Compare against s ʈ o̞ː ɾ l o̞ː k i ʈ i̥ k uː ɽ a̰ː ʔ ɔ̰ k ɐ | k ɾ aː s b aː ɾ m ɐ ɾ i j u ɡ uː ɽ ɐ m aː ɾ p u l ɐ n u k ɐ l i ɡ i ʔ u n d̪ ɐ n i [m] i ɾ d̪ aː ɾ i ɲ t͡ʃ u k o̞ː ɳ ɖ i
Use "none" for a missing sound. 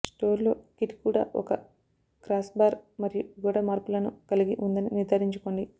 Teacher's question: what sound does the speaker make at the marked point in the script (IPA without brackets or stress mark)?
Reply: n